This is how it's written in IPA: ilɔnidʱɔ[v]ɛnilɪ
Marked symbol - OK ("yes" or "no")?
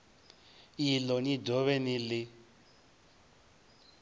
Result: no